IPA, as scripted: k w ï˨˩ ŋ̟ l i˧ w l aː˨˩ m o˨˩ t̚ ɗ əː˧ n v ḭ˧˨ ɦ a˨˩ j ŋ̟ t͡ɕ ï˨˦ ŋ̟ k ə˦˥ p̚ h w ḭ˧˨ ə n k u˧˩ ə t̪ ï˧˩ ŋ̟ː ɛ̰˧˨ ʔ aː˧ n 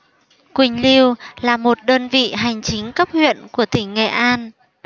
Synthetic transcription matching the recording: k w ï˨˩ ŋ̟ l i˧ w l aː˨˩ m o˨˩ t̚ ɗ əː˧ n v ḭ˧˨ ɦ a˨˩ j ŋ̟ t͡ɕ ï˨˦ ŋ̟ k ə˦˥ p̚ h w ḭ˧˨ ə n k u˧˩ ə t̪ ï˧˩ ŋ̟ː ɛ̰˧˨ ʔ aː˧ n

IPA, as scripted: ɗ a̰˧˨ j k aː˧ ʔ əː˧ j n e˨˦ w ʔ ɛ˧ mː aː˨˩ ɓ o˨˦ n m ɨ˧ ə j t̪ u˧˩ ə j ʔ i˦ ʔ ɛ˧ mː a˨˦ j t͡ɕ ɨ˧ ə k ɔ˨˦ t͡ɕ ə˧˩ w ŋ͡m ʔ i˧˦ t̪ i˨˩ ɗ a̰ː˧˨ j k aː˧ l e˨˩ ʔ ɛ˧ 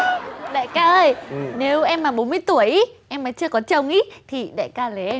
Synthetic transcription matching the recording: ɗ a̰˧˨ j k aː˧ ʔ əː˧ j n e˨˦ w ʔ ɛ˧ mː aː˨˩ ɓ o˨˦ n m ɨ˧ ə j t̪ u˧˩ ə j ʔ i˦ ʔ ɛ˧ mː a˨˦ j t͡ɕ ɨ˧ ə k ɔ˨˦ t͡ɕ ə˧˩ w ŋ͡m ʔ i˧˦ t̪ʰ i˨˩ ɗ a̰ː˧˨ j k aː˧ l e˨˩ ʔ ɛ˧

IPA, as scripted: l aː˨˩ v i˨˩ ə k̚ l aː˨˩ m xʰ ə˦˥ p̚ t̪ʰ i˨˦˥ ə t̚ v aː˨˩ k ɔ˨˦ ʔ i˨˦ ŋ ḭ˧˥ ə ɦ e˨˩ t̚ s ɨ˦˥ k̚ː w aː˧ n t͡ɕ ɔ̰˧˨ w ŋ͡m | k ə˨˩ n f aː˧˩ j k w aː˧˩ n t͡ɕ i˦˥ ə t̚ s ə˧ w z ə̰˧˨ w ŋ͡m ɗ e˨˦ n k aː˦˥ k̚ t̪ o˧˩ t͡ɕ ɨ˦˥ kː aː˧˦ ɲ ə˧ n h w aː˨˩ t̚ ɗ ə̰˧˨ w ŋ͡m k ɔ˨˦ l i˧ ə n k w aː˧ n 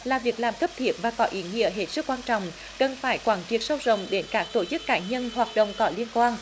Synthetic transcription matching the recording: l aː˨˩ v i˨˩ ə k̚ l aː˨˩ m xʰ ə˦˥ p̚ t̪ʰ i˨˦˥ ə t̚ v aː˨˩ k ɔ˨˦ ʔ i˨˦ ŋ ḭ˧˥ ə ɦ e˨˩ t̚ s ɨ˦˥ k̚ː w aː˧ n t͡ɕ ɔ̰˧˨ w ŋ͡m | k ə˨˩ n f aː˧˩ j k w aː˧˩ n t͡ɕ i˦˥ ə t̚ s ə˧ w z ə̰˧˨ w ŋ͡m ɗ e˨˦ n k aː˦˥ k̚ t̪ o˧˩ t͡ɕ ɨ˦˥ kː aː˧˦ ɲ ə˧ n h w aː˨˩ t̚ ɗ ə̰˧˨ w ŋ͡m k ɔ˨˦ l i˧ ə n k w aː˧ n

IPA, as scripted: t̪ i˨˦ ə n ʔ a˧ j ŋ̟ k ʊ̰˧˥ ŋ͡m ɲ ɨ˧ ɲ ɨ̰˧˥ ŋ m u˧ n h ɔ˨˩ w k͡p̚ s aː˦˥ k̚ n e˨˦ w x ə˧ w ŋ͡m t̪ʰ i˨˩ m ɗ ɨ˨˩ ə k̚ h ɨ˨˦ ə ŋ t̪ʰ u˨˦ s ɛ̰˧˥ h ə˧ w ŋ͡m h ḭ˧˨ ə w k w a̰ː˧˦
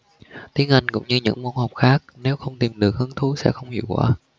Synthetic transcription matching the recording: t̪ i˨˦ ə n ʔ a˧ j ŋ̟ k ʊ̰˧˥ ŋ͡m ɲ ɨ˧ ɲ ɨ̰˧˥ ŋ m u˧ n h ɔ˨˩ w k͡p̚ x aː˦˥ k̚ n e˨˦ w x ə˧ w ŋ͡m t̪ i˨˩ m ɗ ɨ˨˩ ə k̚ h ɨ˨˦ ə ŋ t̪ʰ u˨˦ s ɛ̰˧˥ x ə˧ w ŋ͡m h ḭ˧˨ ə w k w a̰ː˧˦

